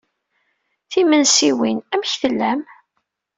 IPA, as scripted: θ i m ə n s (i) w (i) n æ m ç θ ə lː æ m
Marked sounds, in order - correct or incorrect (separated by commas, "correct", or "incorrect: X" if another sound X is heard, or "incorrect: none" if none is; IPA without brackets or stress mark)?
correct, correct